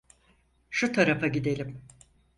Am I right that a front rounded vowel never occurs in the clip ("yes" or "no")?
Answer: yes